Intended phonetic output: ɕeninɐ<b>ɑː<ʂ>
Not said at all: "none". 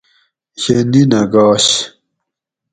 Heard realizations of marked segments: ɡ, ɕ

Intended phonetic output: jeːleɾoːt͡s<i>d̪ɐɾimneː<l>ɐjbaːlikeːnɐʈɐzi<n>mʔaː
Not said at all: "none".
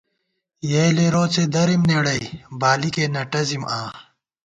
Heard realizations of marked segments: e, ɽ, none

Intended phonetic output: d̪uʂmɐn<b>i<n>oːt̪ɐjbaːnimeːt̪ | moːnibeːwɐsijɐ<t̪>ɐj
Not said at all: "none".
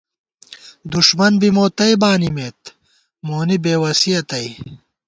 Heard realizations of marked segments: b, m, t̪

